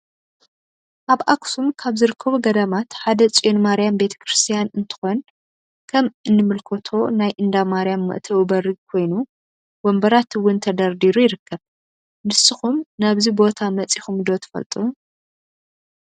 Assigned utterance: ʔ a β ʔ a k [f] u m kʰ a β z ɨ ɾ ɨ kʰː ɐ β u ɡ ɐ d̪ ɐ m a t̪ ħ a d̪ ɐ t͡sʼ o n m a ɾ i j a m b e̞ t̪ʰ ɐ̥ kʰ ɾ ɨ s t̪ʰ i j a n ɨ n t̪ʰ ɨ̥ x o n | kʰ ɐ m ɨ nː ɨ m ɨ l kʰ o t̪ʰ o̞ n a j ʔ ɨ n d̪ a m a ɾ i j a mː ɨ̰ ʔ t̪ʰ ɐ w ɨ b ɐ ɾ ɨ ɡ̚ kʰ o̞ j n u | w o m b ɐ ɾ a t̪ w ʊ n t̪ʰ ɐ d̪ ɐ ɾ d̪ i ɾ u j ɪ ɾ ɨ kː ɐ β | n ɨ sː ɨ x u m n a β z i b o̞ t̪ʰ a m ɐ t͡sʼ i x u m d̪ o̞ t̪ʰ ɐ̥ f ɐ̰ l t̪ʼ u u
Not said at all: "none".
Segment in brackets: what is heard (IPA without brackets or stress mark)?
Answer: s